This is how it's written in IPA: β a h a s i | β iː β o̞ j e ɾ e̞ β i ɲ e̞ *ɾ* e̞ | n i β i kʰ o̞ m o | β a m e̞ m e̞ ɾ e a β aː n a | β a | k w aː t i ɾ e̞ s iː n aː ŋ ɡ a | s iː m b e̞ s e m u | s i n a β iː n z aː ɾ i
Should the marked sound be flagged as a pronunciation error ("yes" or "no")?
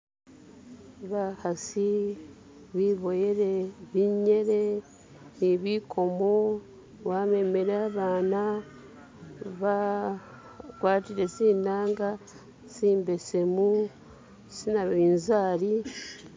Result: no